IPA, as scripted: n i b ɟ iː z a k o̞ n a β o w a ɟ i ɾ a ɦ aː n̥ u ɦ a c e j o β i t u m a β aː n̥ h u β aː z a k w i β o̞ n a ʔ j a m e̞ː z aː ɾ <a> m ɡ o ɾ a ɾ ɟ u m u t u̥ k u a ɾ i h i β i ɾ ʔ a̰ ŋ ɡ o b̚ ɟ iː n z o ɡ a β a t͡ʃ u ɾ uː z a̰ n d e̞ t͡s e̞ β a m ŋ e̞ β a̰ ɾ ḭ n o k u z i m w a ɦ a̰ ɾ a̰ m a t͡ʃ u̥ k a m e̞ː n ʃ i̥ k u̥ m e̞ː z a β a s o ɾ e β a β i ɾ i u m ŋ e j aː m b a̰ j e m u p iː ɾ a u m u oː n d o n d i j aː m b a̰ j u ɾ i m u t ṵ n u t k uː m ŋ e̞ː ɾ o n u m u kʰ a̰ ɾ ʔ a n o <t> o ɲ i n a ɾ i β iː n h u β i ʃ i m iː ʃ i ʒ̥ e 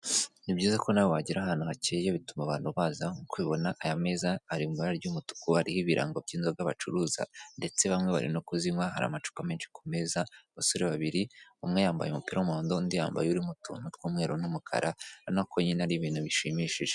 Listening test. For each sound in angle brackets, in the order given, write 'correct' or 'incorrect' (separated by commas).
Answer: incorrect, incorrect